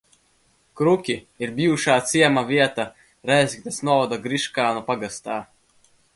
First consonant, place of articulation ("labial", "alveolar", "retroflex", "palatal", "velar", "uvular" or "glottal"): velar